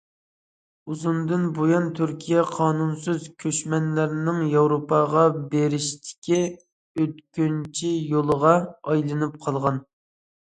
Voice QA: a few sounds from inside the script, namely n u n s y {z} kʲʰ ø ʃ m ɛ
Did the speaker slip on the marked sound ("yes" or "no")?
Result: no